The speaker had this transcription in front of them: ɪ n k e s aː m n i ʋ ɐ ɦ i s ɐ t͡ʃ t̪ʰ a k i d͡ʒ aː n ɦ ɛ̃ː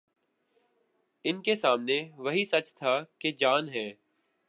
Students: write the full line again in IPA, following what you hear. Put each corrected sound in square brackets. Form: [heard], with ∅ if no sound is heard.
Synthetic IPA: ɪ n k e s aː m n [e] ʋ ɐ ɦ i s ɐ t͡ʃ t̪ʰ a k [e] d͡ʒ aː n ɦ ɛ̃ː